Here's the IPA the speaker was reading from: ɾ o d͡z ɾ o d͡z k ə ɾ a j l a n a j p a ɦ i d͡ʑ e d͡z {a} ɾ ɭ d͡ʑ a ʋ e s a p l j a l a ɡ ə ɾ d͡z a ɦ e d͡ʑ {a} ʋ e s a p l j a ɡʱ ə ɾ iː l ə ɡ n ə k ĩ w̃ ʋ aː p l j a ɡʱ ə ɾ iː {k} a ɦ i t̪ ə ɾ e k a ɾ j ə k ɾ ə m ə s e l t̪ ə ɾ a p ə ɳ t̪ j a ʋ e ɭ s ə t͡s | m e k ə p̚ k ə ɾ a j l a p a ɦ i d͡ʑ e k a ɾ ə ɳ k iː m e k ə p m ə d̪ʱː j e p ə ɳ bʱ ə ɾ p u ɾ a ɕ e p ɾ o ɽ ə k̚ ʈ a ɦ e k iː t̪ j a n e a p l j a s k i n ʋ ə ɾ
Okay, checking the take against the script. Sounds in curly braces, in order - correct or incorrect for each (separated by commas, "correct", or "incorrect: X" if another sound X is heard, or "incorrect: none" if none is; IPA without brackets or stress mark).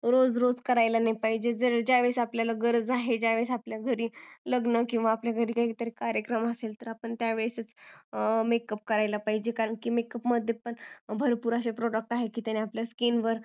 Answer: incorrect: ə, correct, correct